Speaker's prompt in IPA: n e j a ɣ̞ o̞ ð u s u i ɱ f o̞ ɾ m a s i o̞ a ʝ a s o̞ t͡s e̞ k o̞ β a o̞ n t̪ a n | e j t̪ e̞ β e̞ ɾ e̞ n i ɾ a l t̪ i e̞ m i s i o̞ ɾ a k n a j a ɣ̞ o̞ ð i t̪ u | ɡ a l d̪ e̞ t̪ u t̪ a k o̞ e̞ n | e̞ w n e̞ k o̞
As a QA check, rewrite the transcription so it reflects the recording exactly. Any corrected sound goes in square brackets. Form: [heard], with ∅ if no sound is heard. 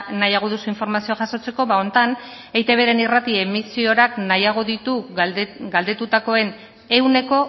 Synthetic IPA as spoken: n [a] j a ɣ̞ o̞ ð u s u i ɱ f o̞ ɾ m a s i o̞ a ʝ a s o̞ t͡s e̞ k o̞ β a o̞ n t̪ a n | e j t̪ e̞ β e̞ ɾ e̞ n i [r] a [∅] t̪ i e̞ m i s i o̞ ɾ a k n a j a ɣ̞ o̞ ð i t̪ u | ɡ a l d̪ e̞ t̪ u t̪ a k o̞ e̞ n | e̞ w n e̞ k o̞

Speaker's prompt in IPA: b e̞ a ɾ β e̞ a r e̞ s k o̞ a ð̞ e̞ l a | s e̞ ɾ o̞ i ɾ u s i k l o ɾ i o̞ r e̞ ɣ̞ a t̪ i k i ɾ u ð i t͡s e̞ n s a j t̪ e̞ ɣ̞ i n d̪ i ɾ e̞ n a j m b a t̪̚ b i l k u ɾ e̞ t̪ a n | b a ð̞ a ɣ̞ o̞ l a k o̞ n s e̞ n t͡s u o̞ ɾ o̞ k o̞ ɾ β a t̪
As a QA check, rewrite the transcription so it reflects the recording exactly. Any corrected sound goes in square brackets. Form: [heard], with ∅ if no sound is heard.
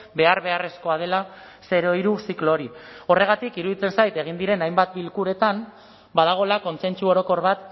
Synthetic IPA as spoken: b e̞ a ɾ β e̞ a r e̞ s k o̞ a ð̞ e̞ l a | s e̞ ɾ o̞ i ɾ u s i k l o ɾ i o̞ r e̞ ɣ̞ a t̪ i k i ɾ u ð i t͡s e̞ n s a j t̪ e̞ ɣ̞ i n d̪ i ɾ e̞ n a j m b a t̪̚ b i l k u ɾ e̞ t̪ a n | b a ð̞ a ɣ̞ o̞ l a k o̞ n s e̞ n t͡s u o̞ ɾ o̞ k o̞ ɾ β a t̪

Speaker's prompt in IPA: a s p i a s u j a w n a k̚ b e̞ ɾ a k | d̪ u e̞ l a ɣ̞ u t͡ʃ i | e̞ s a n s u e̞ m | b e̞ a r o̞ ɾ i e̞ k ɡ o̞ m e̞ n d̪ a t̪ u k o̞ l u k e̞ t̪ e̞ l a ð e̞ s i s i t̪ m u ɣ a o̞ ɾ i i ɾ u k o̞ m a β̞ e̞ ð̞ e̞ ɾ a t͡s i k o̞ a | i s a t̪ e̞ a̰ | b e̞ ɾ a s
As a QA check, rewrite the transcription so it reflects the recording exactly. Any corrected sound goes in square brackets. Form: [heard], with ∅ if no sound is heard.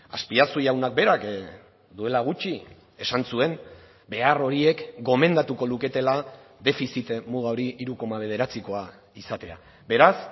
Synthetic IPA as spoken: a s p i a s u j a w n a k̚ b e̞ ɾ a k | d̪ u e̞ l a ɣ̞ u t͡ʃ i | e̞ s a n s u e̞ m | b e̞ a r o̞ ɾ i e̞ k ɡ o̞ m e̞ n d̪ a t̪ u k o̞ l u k e̞ t̪ e̞ l a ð e̞ [f] i s i t̪ m u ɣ a o̞ ɾ i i ɾ u k o̞ m a β̞ e̞ ð̞ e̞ ɾ a t͡s i k o̞ a | i s a t̪ e̞ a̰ | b e̞ ɾ a s

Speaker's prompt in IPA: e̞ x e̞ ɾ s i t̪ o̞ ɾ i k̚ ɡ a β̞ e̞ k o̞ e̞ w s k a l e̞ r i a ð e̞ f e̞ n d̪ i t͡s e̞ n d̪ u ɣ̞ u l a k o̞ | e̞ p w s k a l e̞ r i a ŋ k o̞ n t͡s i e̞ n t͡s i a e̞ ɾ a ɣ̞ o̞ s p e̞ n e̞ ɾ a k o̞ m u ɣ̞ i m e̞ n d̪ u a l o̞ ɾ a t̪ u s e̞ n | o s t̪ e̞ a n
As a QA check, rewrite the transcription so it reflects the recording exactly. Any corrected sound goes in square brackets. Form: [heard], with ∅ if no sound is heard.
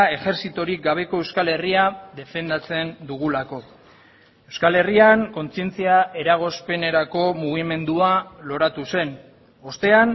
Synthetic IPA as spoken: e̞ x e̞ ɾ s i t̪ o̞ ɾ i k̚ ɡ a β̞ e̞ k o̞ e̞ w s k a l e̞ r i a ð e̞ f e̞ n d̪ [a] t͡s e̞ n d̪ u ɣ̞ u l a k o̞ | e̞ [∅] w s k a l e̞ r i a ŋ k o̞ n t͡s i e̞ n t͡s i a e̞ ɾ a ɣ̞ o̞ s p e̞ n e̞ ɾ a k o̞ m u ɣ̞ i m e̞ n d̪ u a l o̞ ɾ a t̪ u s e̞ n | o s t̪ e̞ a n

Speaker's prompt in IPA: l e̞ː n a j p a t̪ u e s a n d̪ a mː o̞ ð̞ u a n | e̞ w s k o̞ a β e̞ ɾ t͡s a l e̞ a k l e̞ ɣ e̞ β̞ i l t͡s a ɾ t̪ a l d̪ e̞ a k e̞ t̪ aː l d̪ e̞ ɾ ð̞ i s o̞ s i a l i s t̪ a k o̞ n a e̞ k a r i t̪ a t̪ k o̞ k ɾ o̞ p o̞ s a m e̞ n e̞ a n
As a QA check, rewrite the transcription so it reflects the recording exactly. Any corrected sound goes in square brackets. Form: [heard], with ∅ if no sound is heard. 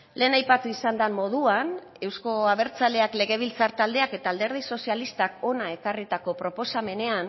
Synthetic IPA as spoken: l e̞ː n a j p a t̪ u [i] s a n d̪ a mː o̞ ð̞ u a n | e̞ w s k o̞ a β e̞ ɾ t͡s a l e̞ a k l e̞ ɣ e̞ β̞ i l t͡s a ɾ t̪ a l d̪ e̞ a k e̞ t̪ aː l d̪ e̞ ɾ ð̞ i s o̞ s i a l i s t̪ a k o̞ n a e̞ k a r i t̪ a [∅] k o̞ [p] ɾ o̞ p o̞ s a m e̞ n e̞ a n

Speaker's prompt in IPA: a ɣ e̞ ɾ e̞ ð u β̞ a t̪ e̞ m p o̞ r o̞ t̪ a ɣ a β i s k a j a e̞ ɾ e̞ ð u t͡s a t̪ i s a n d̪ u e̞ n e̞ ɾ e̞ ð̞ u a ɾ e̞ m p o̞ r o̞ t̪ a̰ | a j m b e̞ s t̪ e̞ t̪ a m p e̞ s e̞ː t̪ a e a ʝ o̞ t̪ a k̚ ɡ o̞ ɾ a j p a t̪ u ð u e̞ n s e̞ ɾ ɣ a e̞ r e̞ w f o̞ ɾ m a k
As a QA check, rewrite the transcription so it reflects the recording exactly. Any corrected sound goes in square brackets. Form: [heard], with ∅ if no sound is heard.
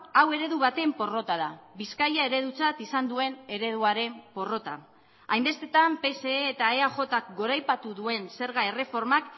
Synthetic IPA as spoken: a [w] e̞ ɾ e̞ ð u β̞ a t̪ e̞ m p o̞ r o̞ t̪ a [ð] a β i s k a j a e̞ ɾ e̞ ð u t͡s a t̪ i s a n d̪ u e̞ n e̞ ɾ e̞ ð̞ u a ɾ e̞ m p o̞ r o̞ t̪ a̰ | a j m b e̞ s t̪ e̞ t̪ a m p e̞ s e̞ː t̪ a e a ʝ o̞ t̪ a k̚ ɡ o̞ ɾ a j p a t̪ u ð u e̞ n s e̞ ɾ ɣ a e̞ r e̞ [∅] f o̞ ɾ m a k

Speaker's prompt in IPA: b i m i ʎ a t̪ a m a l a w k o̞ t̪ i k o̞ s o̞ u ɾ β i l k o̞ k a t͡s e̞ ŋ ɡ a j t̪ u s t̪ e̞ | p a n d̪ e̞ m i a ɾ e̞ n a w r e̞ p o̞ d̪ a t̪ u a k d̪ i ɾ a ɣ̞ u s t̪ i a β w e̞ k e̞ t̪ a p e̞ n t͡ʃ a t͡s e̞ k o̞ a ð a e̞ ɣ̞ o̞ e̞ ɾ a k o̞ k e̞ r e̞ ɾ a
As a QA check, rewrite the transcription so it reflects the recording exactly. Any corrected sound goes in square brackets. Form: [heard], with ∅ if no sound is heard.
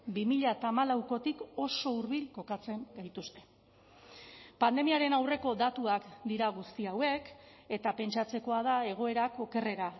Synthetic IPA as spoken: b i m i ʎ a t̪ a m a l a w k o̞ t̪ i k o̞ s o̞ u ɾ β i l k o̞ k a t͡s e̞ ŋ ɡ a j t̪ u s t̪ e̞ | p a n d̪ e̞ m i a ɾ e̞ n a w r e̞ [k] o̞ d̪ a t̪ u a k d̪ i ɾ a ɣ̞ u s t̪ i a [∅] w e̞ k e̞ t̪ a p e̞ n t͡ʃ a t͡s e̞ k o̞ a ð a e̞ ɣ̞ o̞ e̞ ɾ a k o̞ k e̞ r e̞ ɾ a

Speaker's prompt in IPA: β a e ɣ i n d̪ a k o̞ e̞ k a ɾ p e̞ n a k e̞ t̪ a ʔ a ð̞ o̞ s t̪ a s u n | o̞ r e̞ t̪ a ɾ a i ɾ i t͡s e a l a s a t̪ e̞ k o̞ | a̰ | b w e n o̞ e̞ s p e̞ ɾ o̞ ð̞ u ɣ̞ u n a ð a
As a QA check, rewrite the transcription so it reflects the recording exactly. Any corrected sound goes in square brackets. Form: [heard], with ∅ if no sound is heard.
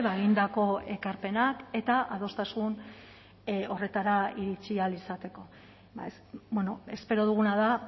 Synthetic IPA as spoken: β a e ɣ i n d̪ a k o̞ e̞ k a ɾ p e̞ n a k e̞ t̪ a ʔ a ð̞ o̞ s t̪ a s u n | o̞ r e̞ t̪ a ɾ a i ɾ i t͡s [i] a l [i] s a t̪ e̞ k o̞ | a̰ | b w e n o̞ e̞ s p e̞ ɾ o̞ ð̞ u ɣ̞ u n a ð a

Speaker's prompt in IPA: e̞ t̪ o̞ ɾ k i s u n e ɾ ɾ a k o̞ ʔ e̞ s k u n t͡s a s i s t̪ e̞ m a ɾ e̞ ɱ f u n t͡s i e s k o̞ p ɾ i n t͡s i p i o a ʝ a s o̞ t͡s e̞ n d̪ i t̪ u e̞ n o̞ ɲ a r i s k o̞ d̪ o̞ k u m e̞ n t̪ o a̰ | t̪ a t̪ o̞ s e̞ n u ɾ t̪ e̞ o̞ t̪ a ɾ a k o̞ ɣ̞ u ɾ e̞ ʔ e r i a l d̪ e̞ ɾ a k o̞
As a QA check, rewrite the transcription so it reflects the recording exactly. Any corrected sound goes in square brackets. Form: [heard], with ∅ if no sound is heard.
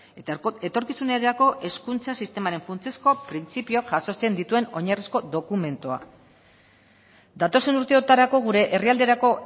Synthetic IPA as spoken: e̞ t̪ o̞ ɾ k i s u n e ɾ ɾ a k o̞ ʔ e̞ s k u n t͡s a s i s t̪ e̞ m a ɾ e̞ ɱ f u n t͡s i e s k o̞ p ɾ i n t͡s i p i o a ʝ a s o̞ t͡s e̞ n d̪ i t̪ u e̞ n o̞ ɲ a r i s k o̞ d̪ o̞ k u m e̞ n t̪ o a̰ | [d̪] a t̪ o̞ s e̞ n u ɾ t̪ e̞ o̞ t̪ a ɾ a k o̞ ɣ̞ u ɾ e̞ ʔ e r i a l d̪ e̞ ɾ a k o̞

